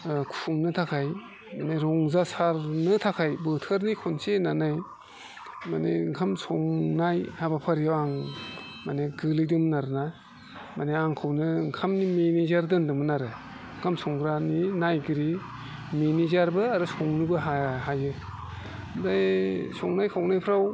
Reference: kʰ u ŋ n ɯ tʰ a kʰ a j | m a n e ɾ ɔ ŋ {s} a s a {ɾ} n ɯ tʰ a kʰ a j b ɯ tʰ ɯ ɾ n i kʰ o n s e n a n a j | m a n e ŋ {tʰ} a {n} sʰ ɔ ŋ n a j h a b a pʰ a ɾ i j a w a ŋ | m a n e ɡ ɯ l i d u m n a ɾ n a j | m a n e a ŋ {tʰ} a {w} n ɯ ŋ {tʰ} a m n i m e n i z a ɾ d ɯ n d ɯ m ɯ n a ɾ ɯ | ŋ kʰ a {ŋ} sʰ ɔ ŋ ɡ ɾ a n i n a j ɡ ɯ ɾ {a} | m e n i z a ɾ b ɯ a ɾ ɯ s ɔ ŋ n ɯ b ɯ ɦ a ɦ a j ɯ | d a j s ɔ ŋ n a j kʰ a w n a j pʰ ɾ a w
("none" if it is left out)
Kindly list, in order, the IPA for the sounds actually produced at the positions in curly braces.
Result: z, ɾ, kʰ, m, kʰ, w, kʰ, m, i

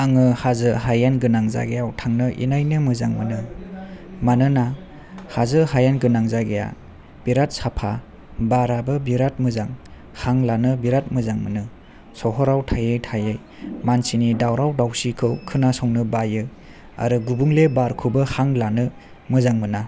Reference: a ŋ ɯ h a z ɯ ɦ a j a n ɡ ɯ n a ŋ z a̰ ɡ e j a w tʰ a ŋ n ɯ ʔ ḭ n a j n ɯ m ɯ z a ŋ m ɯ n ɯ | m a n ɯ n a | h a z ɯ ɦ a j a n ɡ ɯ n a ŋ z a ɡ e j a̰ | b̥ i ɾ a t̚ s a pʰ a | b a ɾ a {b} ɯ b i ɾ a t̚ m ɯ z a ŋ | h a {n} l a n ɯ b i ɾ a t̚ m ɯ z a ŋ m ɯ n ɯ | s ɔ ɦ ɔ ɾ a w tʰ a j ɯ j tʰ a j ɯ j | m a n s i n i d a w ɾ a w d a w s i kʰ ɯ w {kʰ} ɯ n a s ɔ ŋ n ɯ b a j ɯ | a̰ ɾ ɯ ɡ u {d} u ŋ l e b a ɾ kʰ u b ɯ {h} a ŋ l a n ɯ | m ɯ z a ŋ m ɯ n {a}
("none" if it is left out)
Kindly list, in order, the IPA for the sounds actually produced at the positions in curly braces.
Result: b, ŋ, kʰ, b, h, a

